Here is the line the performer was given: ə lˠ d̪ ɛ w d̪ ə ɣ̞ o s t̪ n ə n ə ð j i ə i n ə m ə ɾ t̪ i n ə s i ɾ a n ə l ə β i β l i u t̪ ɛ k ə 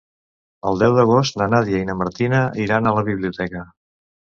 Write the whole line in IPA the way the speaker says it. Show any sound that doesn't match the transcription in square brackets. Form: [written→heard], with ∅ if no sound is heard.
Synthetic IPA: ə lˠ d̪ ɛ w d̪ ə ɣ̞ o s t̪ n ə n [ə→a] ð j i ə i n ə m ə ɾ t̪ i n ə [s→∅] i ɾ a n ə l ə β i β l i u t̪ ɛ k ə